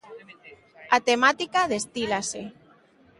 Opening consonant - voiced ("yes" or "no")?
no